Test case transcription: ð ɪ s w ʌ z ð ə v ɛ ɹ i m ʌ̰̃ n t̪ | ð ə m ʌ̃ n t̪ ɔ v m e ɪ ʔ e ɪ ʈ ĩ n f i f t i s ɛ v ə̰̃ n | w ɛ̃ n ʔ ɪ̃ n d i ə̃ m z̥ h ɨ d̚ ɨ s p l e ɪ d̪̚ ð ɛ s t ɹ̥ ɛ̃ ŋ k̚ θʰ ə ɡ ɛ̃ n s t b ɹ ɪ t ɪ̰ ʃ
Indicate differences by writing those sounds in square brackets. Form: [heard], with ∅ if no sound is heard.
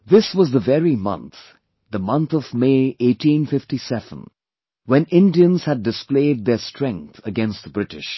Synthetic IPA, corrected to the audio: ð ɪ s w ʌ z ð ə v ɛ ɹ i m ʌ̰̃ n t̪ | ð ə m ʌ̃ n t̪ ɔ v m e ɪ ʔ e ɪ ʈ ĩ n f [ɪ] f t i s ɛ v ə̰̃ n | w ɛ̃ n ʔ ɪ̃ n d i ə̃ [n] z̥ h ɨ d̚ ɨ s p l e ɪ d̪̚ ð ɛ s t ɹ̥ ɛ̃ ŋ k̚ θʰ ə ɡ ɛ̃ n s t b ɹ ɪ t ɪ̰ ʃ

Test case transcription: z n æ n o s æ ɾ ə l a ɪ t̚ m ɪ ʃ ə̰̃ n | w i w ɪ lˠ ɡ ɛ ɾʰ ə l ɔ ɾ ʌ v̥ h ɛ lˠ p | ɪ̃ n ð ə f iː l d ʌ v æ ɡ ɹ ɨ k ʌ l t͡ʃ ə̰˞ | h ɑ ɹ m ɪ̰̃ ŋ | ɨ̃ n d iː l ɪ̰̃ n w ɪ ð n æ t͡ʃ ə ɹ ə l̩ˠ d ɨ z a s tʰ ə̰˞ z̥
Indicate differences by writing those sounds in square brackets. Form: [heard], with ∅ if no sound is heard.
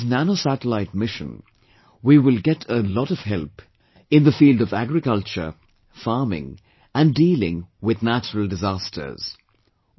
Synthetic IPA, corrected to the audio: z n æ n o s æ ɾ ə l a ɪ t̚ m ɪ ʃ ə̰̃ n | w i w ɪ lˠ ɡ ɛ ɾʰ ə l ɔ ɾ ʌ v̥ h ɛ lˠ p | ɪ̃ n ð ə f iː l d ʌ v æ ɡ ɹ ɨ k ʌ l t͡ʃ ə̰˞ | [f] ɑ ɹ m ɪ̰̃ ŋ | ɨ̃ n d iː l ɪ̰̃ [ŋ] w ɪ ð n æ t͡ʃ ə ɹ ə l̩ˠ d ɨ z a s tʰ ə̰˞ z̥

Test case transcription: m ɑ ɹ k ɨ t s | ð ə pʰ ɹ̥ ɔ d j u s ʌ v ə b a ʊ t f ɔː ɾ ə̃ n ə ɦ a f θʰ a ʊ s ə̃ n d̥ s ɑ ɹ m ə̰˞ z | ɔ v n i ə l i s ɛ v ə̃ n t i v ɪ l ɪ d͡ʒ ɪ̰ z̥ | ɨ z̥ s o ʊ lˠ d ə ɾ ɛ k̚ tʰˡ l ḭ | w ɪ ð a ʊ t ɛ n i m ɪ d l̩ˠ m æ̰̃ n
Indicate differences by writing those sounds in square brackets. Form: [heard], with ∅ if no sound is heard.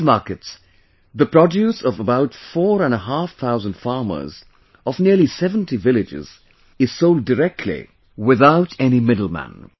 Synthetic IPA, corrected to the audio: m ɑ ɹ k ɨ t s | ð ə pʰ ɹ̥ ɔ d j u s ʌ v ə b a ʊ t f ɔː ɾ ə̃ n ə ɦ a f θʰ a ʊ [z] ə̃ n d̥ [f] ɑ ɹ m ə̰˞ z | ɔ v n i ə l i s ɛ v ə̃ n t i v ɪ l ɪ d͡ʒ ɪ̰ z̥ | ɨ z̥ s o ʊ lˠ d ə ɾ ɛ k̚ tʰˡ l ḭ | w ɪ ð a ʊ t ɛ n i m ɪ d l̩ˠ m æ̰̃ n

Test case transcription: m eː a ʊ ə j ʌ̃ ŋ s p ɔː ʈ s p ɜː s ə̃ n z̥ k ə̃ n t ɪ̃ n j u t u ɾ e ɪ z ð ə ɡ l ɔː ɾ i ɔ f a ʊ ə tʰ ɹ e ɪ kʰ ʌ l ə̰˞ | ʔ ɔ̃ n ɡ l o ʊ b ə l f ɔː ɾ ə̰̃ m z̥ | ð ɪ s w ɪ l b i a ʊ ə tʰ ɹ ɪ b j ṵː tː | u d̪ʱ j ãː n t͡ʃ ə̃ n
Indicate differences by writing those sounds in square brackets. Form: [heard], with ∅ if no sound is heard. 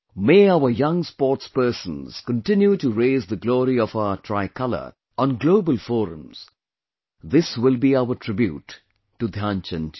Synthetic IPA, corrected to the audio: m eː a ʊ ə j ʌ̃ ŋ s p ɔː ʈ s p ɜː s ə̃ n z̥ k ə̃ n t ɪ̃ n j u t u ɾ e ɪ z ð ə ɡ l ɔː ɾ i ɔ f a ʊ ə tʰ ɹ [a] ɪ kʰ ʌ l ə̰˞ | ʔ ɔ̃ n ɡ l o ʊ b ə l f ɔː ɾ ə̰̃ m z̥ | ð ɪ s w ɪ l b i a ʊ ə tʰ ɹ ɪ b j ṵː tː | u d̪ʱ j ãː n t͡ʃ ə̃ n

